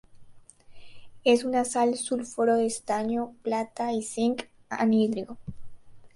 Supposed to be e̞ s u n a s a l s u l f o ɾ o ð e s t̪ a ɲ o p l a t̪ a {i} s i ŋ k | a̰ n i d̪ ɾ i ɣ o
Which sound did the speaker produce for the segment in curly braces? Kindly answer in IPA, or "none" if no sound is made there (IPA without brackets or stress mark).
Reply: i